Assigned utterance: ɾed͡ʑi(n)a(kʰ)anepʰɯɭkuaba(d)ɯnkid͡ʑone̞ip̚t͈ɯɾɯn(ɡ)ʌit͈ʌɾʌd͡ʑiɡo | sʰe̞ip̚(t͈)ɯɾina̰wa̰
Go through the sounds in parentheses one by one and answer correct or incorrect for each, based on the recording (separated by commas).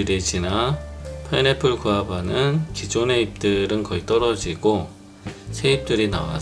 correct, incorrect, incorrect, incorrect, correct